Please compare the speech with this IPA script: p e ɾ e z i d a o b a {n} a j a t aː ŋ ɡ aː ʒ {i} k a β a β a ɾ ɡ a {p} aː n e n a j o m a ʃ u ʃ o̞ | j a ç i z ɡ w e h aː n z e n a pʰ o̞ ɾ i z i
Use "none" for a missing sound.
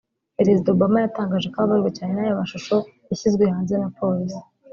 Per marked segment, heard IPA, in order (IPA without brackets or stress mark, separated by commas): m, e, c